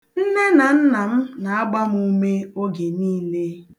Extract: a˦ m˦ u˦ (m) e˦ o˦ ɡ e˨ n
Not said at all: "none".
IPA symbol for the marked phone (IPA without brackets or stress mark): m